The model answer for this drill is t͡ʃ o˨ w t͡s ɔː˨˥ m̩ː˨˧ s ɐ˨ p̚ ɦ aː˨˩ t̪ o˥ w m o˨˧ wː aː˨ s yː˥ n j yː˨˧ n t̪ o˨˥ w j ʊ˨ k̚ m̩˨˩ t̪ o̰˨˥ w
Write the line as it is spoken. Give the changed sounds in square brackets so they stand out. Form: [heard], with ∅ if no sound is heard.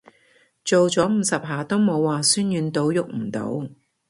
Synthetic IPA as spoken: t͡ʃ o˨ w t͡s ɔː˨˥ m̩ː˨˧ s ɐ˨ p̚ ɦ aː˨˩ t̪ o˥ w m o˨˧ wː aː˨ s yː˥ n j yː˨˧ n t̪ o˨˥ w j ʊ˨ k̚ m̩˨˩ t̪ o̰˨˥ w